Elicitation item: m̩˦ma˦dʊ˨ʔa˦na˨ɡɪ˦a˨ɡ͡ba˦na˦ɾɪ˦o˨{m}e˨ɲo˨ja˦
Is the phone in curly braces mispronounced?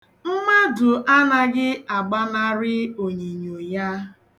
yes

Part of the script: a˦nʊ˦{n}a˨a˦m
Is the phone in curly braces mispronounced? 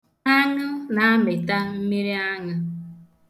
no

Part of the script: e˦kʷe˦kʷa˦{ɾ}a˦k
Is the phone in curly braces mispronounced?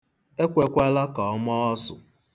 yes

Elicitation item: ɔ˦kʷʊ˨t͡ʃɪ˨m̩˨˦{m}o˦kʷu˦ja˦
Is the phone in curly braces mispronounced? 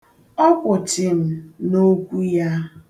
yes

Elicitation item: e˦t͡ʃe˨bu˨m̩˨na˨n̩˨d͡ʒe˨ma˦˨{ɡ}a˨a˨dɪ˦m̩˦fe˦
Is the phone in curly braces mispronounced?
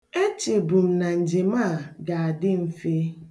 no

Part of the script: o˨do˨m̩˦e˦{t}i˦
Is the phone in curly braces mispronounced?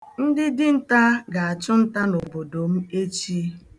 yes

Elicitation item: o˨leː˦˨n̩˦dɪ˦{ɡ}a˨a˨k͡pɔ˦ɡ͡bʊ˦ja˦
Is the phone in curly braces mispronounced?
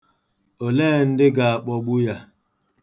no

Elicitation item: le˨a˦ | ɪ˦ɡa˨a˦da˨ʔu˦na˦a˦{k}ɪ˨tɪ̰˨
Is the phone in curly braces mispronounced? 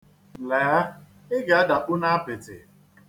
yes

